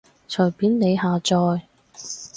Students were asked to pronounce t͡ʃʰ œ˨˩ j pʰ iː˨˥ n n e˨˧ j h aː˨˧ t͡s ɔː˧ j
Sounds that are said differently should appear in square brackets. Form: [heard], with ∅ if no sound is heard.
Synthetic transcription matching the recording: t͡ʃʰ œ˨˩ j [p] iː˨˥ n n e˨˧ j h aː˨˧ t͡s ɔː˧ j